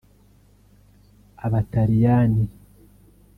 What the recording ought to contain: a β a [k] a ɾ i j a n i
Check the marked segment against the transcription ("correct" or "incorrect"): incorrect